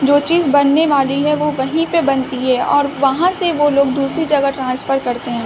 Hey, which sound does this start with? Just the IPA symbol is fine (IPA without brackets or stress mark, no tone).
d͡ʒ